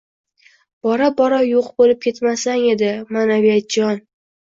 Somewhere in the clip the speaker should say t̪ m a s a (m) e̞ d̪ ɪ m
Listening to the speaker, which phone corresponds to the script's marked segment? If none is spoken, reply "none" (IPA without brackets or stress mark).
ŋ